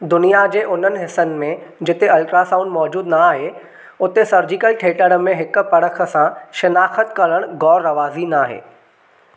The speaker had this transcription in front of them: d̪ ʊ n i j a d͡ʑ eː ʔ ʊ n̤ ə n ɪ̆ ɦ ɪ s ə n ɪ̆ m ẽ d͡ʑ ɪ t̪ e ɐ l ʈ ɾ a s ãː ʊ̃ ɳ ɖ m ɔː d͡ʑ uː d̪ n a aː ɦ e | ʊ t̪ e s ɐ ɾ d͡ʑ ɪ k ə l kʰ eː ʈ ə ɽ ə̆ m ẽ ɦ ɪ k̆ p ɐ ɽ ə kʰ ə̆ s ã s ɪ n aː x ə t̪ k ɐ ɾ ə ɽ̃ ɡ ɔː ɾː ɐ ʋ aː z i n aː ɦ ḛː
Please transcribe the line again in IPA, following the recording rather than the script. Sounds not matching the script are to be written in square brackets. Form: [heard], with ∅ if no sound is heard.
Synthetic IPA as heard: d̪ ʊ n i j a d͡ʑ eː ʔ ʊ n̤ ə n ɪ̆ ɦ ɪ s ə n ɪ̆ m ẽ d͡ʑ ɪ t̪ e ɐ l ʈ ɾ a s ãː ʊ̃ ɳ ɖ m ɔː d͡ʑ uː d̪ n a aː ɦ e | ʊ t̪ e s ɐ ɾ d͡ʑ ɪ k ə l [ʈʰ] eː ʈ ə ɽ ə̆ m ẽ ɦ ɪ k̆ p ɐ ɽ ə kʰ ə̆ s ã [ʃ] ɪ n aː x ə t̪ k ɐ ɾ ə ɽ̃ ɡ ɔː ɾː ɐ ʋ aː z i n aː ɦ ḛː

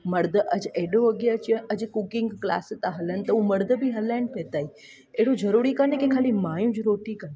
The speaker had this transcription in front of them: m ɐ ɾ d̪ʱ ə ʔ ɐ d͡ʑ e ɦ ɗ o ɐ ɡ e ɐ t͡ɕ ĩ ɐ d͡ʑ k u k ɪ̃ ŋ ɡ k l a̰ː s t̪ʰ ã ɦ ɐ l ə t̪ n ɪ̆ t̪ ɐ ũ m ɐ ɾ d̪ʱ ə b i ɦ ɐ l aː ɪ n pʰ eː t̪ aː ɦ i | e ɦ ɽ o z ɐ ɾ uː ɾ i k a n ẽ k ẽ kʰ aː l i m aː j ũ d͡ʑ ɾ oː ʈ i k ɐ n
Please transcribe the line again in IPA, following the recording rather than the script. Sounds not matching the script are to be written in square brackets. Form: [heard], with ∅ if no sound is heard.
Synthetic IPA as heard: m ɐ ɾ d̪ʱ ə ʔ ɐ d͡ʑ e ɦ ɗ o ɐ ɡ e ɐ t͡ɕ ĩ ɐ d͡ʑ k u k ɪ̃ ŋ ɡ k l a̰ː s [t̪] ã ɦ ɐ l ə [∅] n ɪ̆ t̪ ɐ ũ m ɐ ɾ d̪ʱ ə b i ɦ ɐ l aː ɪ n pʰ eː t̪ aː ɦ i | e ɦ ɽ o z ɐ ɾ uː ɾ i k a n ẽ k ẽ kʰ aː l i m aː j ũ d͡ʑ ɾ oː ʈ i k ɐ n

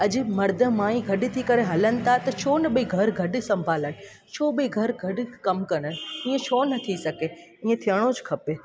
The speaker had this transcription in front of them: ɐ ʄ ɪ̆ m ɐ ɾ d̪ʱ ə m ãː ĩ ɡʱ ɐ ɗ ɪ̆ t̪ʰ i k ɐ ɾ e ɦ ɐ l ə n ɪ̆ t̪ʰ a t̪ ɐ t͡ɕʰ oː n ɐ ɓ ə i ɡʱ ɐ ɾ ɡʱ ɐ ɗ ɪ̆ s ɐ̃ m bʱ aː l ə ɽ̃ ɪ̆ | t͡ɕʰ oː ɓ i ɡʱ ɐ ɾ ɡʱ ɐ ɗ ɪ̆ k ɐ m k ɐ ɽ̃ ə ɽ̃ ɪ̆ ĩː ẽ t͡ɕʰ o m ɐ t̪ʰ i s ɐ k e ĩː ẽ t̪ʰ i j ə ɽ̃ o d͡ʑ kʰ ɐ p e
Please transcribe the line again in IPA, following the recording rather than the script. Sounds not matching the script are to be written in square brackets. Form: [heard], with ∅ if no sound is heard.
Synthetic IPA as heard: ɐ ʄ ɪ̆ m ɐ ɾ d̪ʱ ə m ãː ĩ ɡʱ ɐ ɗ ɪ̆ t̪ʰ i k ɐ ɾ e ɦ ɐ l ə n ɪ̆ t̪ʰ a t̪ ɐ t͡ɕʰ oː n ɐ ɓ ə i ɡʱ ɐ ɾ ɡʱ ɐ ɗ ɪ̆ s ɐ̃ m bʱ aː l ə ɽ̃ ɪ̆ | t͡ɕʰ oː ɓ i ɡʱ ɐ ɾ ɡʱ ɐ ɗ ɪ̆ k ɐ m k ɐ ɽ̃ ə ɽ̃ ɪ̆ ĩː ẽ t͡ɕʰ o [n] ɐ t̪ʰ i s ɐ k e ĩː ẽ t̪ʰ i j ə ɽ̃ o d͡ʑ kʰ ɐ p e

